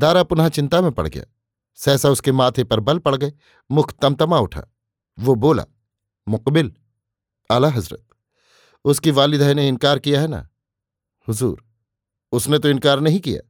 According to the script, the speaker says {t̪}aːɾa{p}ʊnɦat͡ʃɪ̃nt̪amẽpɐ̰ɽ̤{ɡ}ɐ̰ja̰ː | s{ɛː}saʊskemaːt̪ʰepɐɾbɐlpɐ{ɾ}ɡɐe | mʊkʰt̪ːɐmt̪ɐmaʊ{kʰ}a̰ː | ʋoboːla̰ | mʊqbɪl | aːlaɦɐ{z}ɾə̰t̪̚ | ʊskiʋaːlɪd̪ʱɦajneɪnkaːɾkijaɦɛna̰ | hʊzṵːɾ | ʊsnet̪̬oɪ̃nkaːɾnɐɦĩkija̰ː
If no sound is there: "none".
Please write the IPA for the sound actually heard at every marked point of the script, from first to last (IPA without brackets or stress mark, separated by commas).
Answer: d̪, p, ɡ, ɛː, ɽ, ʈʰ, z